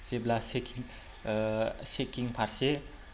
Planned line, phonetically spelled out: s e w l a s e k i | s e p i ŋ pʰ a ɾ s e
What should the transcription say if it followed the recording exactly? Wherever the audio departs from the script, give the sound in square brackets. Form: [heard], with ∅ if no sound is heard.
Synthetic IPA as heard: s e [b] l a s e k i | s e [k] i ŋ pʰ a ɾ s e